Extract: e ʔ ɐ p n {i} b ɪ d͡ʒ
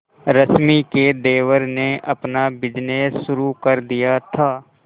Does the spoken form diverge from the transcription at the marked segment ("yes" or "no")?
yes